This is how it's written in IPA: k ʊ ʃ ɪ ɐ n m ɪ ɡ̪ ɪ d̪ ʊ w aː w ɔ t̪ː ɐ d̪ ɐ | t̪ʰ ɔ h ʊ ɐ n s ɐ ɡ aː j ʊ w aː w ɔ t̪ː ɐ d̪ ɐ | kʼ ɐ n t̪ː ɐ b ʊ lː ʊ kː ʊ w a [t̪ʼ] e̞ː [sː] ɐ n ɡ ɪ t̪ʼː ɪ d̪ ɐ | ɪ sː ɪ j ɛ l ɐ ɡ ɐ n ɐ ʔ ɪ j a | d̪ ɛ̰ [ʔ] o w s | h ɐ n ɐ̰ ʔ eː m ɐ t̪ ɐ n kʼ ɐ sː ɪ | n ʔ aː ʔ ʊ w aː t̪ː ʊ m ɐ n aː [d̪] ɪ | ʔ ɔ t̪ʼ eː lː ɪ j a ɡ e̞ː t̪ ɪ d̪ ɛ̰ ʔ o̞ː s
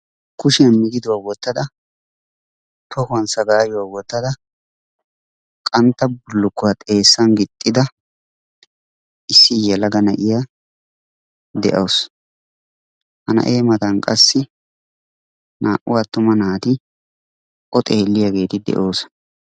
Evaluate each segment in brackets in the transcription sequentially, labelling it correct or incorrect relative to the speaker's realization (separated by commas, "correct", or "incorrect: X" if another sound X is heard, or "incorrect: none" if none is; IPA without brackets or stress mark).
correct, correct, correct, incorrect: t̪